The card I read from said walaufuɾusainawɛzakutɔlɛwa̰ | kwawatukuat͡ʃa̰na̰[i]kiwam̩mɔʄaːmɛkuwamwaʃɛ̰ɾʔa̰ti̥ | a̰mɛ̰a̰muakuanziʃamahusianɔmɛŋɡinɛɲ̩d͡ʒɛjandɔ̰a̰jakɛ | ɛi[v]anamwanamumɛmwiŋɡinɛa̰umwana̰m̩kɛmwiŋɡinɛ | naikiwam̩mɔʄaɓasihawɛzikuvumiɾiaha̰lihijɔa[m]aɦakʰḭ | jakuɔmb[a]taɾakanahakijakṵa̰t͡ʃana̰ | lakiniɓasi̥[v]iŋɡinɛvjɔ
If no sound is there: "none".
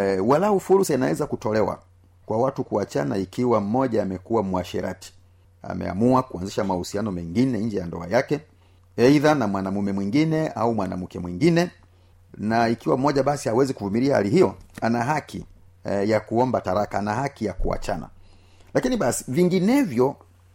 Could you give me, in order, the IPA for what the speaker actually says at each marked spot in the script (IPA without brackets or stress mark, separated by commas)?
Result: i, ð, n, a, v